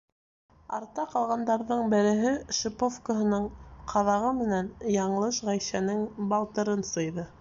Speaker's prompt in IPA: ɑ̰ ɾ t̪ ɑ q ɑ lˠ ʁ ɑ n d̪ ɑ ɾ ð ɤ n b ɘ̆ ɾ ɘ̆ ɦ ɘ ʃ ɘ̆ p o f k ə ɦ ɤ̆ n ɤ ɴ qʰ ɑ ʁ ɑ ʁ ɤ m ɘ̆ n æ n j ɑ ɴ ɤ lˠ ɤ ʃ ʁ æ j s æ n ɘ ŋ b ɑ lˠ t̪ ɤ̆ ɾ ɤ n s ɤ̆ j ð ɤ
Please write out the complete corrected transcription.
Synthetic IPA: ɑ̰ ɾ t̪ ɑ q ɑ lˠ ʁ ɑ n d̪ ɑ ɾ ð ɤ ɴ b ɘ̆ ɾ ɘ̆ ɦ ɘ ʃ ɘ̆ p o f k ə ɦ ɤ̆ n ɤ ɴ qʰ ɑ ð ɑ ʁ ɤ m ɘ̆ n æ n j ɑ ɴ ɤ lˠ ɤ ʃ ʁ æ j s æ n ɘ ŋ b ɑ lˠ t̪ ɤ̆ ɾ ɤ n s ɤ̆ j ð ɤ